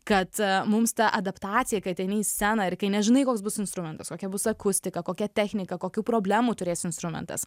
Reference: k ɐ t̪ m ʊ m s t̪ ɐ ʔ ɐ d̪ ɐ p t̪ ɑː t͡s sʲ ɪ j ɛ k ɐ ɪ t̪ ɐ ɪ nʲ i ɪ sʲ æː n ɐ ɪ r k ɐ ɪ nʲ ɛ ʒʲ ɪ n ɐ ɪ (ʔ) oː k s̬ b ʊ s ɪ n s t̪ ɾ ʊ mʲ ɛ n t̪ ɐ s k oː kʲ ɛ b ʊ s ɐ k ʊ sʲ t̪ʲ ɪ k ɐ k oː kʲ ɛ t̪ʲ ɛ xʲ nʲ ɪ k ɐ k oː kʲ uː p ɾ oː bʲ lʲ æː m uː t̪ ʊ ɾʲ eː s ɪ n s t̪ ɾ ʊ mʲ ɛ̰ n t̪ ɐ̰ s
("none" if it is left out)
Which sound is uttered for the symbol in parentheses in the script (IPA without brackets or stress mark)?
k